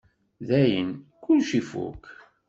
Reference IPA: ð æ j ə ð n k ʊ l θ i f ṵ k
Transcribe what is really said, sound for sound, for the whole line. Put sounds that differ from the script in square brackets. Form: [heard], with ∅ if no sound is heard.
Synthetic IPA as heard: ð æ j ə [∅] n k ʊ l [ʃ] i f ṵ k